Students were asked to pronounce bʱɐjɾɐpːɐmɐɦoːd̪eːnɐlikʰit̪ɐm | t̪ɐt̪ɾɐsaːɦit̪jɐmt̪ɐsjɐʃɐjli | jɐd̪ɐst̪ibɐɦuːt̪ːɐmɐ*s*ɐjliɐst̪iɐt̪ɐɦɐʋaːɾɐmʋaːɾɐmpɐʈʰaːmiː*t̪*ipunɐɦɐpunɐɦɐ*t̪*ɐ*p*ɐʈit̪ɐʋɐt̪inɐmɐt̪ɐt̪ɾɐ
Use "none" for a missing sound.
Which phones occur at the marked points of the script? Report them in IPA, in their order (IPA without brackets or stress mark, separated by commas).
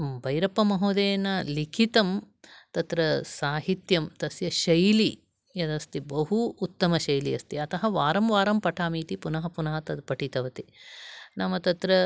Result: ʃ, t̪, t̪, p